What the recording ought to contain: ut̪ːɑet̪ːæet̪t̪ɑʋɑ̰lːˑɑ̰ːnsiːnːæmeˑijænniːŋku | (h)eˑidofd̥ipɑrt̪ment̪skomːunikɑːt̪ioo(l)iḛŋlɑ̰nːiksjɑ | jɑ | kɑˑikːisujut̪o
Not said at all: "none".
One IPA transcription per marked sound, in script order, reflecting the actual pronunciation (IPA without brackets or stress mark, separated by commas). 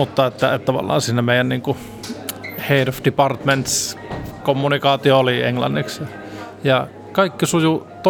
h, l